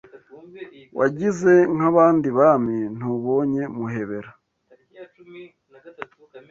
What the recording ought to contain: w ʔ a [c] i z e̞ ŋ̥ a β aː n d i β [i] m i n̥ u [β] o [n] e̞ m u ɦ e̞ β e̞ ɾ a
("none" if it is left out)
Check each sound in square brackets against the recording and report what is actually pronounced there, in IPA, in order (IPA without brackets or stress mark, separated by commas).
ɟ, a, β, ɲ